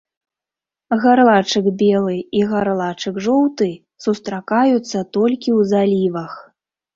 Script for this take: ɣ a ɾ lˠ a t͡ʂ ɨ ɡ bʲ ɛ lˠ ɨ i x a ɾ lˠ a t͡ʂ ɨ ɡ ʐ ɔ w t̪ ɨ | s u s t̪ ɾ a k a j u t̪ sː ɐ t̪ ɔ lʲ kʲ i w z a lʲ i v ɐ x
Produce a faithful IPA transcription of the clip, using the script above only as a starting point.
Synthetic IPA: ɣ a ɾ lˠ a t͡ʂ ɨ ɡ bʲ ɛ lˠ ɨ i ɣ a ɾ lˠ a t͡ʂ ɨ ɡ ʐ ɔ w t̪ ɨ | s u s t̪ ɾ a k a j u t̪ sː ɐ t̪ ɔ lʲ kʲ i w z a lʲ i v ɐ x